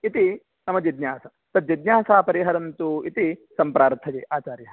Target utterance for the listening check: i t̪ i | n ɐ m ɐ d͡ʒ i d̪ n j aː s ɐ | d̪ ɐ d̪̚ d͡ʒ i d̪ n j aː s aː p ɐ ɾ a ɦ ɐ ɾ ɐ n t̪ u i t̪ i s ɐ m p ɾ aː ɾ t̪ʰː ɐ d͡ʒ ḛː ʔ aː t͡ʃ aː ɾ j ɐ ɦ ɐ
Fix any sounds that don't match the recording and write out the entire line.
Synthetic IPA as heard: i t̪ i | n ɐ m ɐ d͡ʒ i d̪ n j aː s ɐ | t̪ ɐ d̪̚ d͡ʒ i d̪ n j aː s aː p ɐ ɾ i ɦ ɐ ɾ ɐ n t̪ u i t̪ i s ɐ m p ɾ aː ɾ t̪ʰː ɐ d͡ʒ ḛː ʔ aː t͡ʃ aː ɾ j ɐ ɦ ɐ